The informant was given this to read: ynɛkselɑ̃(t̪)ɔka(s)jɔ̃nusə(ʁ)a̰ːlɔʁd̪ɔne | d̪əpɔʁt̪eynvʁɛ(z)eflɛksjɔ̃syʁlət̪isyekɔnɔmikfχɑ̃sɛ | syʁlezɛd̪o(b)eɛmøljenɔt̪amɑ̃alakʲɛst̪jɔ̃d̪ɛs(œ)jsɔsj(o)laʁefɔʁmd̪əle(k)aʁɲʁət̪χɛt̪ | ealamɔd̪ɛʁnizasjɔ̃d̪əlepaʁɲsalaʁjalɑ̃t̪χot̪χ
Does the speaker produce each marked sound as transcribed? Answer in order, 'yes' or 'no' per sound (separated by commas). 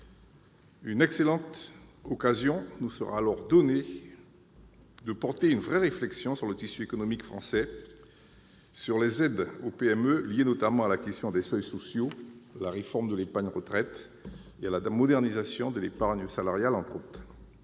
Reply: yes, no, yes, no, no, yes, yes, no